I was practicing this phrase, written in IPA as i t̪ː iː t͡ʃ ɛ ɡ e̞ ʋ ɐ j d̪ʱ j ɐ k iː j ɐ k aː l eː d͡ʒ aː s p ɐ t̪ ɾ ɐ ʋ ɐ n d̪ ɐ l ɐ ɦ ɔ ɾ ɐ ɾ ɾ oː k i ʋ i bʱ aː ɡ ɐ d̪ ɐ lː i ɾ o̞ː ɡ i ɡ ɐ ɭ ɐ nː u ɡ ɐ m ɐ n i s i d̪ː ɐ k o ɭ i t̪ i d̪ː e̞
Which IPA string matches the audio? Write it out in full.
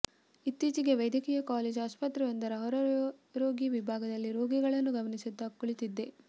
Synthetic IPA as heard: i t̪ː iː t͡ʃ i ɡ e̞ ʋ ɐ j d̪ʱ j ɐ k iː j ɐ k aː l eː d͡ʒ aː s p ɐ t̪ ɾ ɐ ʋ ɐ n d̪ ɐ ɾ ɐ ɦ ɔ ɾ ɐ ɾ ɾ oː ɡ i ʋ i bʱ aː ɡ ɐ d̪ ɐ lː i ɾ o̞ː ɡ i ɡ ɐ ɭ ɐ nː u ɡ ɐ m ɐ n i s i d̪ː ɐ k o ɭ i t̪ i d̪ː e̞